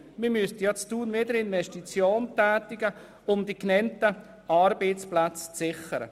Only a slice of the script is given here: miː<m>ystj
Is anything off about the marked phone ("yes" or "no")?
no